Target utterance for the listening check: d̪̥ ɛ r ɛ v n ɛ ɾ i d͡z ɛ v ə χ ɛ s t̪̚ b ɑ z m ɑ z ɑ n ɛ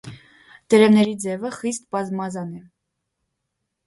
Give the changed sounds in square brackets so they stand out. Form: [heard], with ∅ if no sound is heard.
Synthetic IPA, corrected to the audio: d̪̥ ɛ [ɾ] ɛ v n ɛ ɾ i d͡z ɛ v ə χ [i] s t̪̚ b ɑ z m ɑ z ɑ n ɛ